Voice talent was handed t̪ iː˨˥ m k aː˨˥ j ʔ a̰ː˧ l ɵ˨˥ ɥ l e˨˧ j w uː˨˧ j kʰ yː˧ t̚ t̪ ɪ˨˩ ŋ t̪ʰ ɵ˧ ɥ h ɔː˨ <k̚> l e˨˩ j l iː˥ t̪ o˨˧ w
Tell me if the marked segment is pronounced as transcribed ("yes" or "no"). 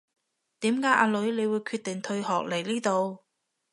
yes